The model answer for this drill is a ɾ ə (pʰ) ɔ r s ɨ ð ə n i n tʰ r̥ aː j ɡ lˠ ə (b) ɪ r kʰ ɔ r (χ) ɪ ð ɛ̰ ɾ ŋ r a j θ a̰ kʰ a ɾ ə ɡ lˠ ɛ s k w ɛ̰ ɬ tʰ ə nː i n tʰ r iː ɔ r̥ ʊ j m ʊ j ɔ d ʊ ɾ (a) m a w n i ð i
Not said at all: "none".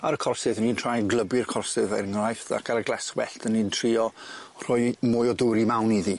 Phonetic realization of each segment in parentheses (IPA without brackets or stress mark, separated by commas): kʰ, b, s, i